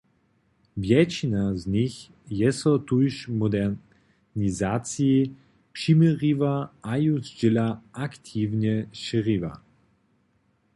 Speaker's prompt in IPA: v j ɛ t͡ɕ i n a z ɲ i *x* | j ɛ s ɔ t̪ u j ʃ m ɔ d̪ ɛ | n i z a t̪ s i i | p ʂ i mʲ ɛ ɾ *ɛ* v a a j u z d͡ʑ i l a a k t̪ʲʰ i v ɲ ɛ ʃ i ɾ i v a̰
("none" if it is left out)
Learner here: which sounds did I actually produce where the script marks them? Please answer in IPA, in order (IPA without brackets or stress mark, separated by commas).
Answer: x, i